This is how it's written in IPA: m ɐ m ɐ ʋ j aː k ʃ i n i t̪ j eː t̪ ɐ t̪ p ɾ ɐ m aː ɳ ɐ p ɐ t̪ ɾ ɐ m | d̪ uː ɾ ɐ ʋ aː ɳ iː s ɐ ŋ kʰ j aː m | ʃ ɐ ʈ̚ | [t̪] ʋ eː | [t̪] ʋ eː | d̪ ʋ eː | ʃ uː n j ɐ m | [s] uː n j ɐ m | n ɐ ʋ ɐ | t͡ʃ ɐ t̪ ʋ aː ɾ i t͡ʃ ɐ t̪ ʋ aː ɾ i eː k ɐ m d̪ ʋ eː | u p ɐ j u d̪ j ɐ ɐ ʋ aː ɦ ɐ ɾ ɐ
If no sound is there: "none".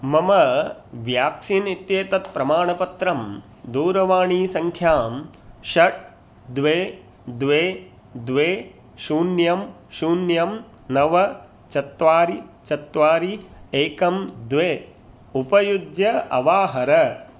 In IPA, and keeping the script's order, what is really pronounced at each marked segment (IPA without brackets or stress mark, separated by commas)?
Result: d̪, d̪, ʃ